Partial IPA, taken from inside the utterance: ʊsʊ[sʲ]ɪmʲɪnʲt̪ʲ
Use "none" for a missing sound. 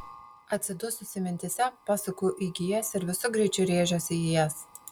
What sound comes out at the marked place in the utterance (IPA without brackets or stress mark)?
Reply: sʲ